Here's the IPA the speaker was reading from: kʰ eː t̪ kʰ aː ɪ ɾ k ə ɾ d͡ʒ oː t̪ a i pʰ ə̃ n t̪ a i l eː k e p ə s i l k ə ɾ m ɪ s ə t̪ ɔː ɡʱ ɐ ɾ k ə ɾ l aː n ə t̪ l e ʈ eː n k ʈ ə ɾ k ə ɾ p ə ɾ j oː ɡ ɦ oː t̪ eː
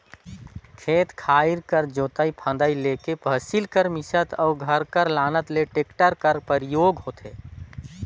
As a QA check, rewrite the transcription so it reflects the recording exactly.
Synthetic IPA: kʰ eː t̪ kʰ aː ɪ ɾ k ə ɾ d͡ʒ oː t̪ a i pʰ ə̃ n d̪ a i l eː k e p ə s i l k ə ɾ m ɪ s ə t̪ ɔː ɡʱ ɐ ɾ k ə ɾ l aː n ə t̪ l e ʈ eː k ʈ ə ɾ k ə ɾ p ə ɾ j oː ɡ ɦ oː t̪ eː